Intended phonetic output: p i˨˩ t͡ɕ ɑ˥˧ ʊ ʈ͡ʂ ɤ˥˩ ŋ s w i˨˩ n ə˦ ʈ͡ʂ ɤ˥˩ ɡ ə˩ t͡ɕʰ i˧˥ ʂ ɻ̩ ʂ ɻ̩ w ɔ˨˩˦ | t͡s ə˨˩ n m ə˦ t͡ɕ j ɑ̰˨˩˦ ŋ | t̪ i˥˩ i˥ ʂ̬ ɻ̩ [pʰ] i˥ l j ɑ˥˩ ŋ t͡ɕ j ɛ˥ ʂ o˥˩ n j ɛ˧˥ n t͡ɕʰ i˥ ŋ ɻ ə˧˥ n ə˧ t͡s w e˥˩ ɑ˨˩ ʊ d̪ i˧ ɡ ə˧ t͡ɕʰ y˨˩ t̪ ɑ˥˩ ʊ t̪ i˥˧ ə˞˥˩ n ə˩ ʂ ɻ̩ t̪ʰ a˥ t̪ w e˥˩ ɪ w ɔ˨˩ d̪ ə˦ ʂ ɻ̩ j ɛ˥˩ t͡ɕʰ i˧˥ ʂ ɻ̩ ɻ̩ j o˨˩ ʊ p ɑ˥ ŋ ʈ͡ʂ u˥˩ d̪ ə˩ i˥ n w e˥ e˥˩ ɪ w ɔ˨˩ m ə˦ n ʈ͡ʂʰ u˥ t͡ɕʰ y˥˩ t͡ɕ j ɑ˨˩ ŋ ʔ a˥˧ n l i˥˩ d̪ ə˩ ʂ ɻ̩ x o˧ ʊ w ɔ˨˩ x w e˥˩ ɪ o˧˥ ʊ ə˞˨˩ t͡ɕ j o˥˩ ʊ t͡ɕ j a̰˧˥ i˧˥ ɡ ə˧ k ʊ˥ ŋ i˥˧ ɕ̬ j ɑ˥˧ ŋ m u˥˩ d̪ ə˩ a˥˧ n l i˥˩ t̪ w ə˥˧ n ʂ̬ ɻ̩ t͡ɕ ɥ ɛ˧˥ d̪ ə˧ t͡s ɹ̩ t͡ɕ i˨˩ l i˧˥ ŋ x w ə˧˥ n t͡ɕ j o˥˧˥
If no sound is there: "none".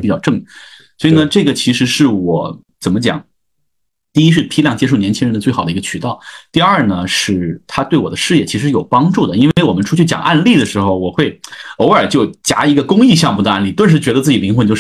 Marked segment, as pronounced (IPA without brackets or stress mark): pʰ